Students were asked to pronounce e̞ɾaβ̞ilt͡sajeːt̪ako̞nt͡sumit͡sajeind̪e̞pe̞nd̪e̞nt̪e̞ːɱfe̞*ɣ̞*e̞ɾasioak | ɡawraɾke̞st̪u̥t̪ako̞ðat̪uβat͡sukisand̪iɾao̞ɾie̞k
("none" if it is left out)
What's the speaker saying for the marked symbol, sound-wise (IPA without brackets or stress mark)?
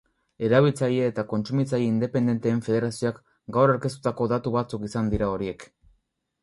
ð̞